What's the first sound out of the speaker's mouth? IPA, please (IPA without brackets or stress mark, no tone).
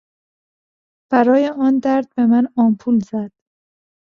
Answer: b̥